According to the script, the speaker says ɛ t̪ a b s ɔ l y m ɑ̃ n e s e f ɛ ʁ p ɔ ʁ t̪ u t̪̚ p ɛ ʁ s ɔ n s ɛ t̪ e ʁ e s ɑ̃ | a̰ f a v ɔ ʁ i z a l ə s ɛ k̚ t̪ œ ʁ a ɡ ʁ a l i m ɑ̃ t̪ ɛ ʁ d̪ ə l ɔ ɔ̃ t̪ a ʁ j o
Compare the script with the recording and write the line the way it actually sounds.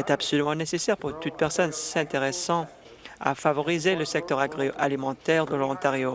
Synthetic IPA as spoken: ɛ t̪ a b s ɔ l y m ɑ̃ n e s e s ɛ ʁ p u ʁ t̪ u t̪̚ p ɛ ʁ s ɔ n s ɛ̃ t̪ e ʁ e s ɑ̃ | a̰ f a v ɔ ʁ i z e l ə s ɛ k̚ t̪ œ ʁ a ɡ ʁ a l i m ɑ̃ t̪ ɛ ʁ d̪ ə l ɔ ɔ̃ t̪ a ʁ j o